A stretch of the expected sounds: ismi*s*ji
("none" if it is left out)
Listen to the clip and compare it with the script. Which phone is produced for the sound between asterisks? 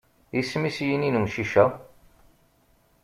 s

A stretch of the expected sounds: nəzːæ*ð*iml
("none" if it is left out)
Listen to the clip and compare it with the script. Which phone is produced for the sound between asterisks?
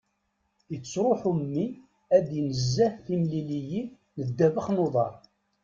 θ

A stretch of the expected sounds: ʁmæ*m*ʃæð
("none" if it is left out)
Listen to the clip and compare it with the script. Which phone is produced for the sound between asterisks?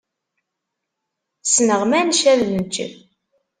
n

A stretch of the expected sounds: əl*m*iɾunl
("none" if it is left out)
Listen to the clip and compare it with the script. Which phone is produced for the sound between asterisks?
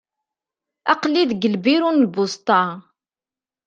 b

